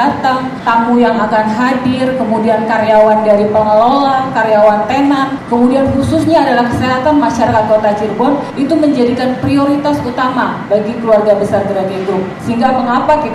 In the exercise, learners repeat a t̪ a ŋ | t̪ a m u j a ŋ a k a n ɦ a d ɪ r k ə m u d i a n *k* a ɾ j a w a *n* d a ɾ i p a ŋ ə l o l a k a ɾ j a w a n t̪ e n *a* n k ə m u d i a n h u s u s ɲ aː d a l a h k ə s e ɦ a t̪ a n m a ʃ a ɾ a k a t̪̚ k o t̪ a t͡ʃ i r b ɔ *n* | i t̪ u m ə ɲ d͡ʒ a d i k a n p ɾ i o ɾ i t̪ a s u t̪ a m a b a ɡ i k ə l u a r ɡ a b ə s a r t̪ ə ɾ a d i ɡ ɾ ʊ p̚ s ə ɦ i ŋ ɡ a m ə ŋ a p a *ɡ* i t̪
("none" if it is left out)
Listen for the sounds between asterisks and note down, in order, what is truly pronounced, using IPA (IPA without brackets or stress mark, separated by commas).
k, n, a, n, k